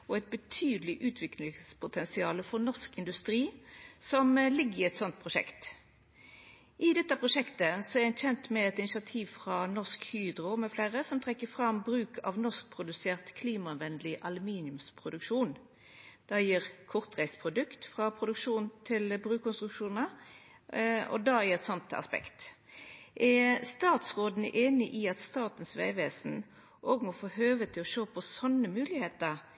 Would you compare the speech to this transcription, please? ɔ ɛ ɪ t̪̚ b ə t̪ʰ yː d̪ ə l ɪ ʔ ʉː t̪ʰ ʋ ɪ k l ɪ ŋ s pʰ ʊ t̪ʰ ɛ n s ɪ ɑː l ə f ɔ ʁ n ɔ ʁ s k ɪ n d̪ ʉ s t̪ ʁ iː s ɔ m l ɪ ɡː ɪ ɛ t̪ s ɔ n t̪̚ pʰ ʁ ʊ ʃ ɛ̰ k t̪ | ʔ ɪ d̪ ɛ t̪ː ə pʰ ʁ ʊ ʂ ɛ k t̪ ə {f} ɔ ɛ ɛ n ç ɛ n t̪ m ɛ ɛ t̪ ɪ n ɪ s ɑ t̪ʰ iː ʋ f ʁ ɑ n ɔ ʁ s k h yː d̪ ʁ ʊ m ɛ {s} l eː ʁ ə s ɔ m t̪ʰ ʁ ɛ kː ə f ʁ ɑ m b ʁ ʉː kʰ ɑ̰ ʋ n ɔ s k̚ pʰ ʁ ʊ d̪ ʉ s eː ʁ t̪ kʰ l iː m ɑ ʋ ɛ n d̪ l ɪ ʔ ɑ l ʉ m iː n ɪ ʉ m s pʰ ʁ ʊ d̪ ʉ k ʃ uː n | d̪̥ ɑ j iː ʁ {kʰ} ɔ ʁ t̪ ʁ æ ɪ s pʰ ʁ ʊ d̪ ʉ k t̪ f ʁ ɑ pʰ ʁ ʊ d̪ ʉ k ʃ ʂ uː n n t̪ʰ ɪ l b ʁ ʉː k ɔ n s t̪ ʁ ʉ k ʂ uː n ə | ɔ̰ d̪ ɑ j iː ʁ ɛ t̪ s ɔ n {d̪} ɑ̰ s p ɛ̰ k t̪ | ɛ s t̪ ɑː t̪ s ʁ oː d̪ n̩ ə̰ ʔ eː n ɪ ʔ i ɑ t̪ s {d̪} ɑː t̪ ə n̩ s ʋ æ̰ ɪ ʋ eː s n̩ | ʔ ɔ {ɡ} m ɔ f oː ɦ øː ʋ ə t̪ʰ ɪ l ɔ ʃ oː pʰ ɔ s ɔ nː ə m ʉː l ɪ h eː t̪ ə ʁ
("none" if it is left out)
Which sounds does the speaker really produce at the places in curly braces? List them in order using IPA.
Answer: s, f, kʰ, t̪, t̪, ɡ

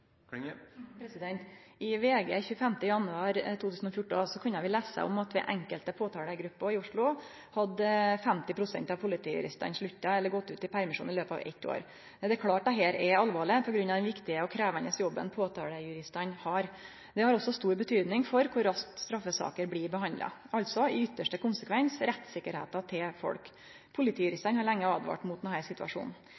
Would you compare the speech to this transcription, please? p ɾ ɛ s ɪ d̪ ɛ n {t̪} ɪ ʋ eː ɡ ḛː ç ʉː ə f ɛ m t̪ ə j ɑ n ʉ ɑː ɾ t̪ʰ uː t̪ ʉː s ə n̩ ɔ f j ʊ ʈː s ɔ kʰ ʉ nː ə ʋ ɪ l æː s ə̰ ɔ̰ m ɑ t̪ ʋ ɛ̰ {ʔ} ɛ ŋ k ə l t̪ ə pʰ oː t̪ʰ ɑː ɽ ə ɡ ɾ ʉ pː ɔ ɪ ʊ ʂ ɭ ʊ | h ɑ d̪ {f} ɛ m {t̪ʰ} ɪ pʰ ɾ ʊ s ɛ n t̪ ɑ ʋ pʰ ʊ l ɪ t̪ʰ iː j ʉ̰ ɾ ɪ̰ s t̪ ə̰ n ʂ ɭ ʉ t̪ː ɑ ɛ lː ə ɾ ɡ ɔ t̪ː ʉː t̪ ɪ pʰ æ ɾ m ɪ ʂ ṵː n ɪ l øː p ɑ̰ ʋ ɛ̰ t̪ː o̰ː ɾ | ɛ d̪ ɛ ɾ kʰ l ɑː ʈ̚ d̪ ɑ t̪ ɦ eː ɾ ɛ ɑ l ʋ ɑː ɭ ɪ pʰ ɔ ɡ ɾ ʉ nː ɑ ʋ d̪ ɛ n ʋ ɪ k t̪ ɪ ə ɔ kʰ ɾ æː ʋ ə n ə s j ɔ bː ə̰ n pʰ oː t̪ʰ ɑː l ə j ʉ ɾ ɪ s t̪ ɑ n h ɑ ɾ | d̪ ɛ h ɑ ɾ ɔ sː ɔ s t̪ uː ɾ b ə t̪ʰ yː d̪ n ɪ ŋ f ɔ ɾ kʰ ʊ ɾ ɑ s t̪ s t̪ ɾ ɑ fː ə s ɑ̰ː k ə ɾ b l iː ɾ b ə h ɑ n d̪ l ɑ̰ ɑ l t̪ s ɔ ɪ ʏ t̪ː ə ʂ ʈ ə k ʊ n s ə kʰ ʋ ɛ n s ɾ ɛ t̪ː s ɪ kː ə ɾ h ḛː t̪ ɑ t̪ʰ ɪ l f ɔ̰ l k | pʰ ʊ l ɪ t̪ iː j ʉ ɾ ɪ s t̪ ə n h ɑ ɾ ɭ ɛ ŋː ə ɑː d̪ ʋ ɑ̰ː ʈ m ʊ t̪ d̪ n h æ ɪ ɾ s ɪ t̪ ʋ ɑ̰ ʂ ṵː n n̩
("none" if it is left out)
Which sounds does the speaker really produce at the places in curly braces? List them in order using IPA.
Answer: t̪, ʔ, f, t̪

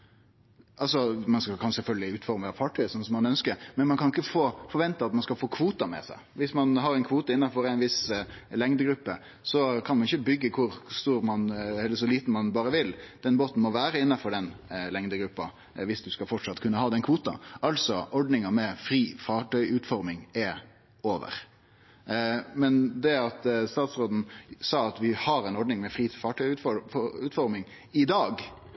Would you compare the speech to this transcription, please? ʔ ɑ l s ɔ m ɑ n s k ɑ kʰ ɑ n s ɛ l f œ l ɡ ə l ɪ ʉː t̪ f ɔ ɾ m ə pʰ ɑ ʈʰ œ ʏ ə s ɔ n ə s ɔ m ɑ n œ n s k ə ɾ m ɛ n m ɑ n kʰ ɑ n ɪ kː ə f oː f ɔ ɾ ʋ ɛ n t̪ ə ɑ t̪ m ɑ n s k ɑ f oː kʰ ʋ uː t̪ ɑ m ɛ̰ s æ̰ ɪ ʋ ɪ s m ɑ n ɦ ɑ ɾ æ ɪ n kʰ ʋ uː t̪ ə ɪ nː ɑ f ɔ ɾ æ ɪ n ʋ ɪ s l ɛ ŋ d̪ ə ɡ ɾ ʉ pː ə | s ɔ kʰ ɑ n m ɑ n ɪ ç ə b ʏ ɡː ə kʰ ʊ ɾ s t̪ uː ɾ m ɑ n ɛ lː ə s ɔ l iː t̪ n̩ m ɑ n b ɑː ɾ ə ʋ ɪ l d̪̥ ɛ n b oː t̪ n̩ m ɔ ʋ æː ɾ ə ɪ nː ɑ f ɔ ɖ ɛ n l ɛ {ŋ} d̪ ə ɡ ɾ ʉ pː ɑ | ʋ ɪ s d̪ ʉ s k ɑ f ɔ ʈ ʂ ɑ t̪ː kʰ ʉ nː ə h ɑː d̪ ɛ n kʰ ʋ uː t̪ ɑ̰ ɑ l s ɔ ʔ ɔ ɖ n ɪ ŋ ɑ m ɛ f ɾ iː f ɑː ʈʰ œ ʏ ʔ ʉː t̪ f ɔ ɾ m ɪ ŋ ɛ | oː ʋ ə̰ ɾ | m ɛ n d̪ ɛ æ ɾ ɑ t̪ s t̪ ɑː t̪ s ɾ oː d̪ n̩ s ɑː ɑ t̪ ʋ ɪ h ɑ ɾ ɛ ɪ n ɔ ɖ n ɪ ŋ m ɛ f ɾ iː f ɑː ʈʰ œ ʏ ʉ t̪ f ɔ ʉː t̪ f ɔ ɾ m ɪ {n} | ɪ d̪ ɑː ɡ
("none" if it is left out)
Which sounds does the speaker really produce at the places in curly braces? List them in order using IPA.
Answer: ŋ, ŋ

